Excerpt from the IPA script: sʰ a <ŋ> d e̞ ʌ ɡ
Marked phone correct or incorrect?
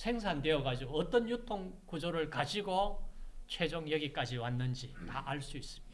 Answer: incorrect